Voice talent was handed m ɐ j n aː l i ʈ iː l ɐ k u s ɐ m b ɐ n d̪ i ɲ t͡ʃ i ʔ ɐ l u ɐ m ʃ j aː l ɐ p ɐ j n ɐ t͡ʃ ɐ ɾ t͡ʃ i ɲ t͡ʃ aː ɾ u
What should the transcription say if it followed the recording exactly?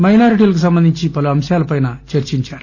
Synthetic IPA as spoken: m ɐ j n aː ɾ i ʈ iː l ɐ k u s ɐ m b ɐ n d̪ i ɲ t͡ʃ i p ɐ l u ɐ m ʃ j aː l ɐ p ɐ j n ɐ t͡ʃ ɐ ɾ t͡ʃ i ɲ t͡ʃ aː ɾ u